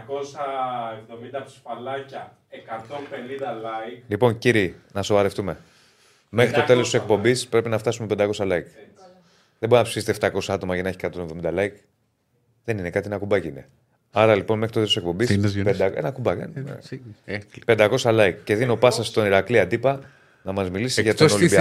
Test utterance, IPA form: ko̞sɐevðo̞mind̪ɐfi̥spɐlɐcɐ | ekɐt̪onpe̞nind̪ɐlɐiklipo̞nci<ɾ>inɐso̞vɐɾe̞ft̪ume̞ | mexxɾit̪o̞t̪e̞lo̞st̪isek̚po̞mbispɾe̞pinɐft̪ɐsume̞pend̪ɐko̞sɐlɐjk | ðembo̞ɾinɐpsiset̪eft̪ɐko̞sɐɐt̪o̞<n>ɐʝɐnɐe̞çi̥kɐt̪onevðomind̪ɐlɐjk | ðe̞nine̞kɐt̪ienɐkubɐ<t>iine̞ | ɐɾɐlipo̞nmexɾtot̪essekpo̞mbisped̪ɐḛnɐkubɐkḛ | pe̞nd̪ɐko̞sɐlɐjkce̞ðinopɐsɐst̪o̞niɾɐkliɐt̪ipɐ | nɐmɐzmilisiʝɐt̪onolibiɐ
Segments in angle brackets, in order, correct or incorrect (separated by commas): correct, incorrect, incorrect